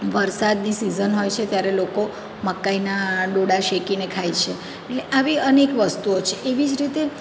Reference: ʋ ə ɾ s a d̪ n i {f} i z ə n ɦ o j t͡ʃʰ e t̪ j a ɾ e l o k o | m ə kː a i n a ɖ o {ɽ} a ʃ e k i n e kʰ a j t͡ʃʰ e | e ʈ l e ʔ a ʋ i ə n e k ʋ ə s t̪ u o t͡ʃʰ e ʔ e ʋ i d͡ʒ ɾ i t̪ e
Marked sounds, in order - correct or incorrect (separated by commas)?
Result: incorrect, correct